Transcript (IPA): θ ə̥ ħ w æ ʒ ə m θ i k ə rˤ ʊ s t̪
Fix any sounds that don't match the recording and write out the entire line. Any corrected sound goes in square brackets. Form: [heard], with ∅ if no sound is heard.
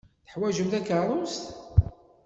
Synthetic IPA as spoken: θ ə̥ ħ w æ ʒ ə m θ [æ] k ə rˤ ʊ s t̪